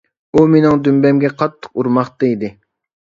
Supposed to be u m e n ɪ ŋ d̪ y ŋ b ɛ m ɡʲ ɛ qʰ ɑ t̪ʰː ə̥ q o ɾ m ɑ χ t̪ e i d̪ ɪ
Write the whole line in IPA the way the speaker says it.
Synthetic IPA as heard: u m e n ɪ ŋ d̪ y m b ɛ m ɡʲ ɛ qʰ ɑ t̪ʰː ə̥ q u ɾ m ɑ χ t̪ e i d̪ ɪ

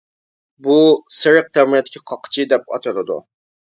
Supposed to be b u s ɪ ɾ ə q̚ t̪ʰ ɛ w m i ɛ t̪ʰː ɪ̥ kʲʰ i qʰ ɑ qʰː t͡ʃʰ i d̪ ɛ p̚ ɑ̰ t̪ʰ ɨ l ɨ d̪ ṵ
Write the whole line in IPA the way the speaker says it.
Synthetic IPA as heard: b u s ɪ ɾ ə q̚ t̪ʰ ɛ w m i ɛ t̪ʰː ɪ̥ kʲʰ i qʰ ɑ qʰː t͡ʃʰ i d̪ ɛ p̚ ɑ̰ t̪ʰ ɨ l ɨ d̪ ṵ

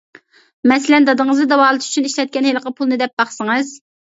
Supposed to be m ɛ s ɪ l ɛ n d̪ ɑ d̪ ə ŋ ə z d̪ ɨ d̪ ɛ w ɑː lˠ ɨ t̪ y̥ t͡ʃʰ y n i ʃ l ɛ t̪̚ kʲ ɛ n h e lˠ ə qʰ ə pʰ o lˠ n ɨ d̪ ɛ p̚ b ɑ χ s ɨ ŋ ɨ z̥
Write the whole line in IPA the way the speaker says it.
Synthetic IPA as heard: m ɛ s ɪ l ɛ n d̪ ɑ d̪ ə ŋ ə z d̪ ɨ d̪ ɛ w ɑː lˠ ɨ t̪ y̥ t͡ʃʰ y n i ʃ l ɛ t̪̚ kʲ ɛ n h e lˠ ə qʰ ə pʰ u lˠ n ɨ d̪ ɛ p̚ b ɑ χ s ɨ ŋ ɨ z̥

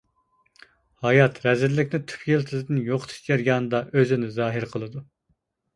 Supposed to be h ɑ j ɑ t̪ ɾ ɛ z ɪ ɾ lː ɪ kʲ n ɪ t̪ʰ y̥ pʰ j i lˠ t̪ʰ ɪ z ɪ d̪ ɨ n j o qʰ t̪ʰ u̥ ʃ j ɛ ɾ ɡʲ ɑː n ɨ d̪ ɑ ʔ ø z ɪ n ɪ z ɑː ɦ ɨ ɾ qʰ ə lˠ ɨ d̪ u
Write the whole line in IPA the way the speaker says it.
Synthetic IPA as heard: h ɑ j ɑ t̪ ɾ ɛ z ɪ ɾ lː ɪ kʲ n ɪ t̪ʰ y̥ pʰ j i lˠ t̪ʰ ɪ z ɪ d̪ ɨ n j o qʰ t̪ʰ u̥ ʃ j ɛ ɾ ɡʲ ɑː n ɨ d̪ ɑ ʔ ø z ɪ n ɪ z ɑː ɦ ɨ ɾ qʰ ə lˠ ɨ d̪ u

